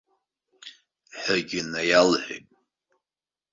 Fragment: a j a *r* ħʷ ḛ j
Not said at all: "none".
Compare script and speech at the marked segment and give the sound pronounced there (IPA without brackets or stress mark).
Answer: l